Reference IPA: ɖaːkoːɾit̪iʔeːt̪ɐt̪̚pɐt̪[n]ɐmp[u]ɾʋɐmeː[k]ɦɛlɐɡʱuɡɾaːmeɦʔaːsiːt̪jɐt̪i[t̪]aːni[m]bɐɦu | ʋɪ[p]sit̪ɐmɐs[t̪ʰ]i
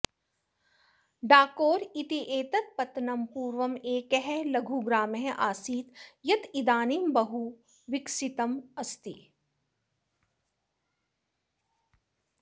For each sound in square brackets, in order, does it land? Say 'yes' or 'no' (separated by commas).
yes, no, yes, no, yes, no, no